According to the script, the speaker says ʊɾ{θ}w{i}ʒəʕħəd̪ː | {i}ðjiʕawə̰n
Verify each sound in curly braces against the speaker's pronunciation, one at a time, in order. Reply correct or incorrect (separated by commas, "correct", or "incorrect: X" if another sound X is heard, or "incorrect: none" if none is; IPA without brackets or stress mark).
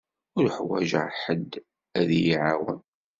incorrect: ħ, incorrect: æ, incorrect: æ